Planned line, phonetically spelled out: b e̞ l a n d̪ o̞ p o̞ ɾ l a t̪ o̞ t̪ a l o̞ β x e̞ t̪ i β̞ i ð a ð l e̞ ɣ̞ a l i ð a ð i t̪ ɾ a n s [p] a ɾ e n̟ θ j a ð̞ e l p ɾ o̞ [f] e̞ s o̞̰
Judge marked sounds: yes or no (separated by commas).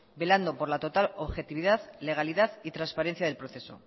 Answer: yes, no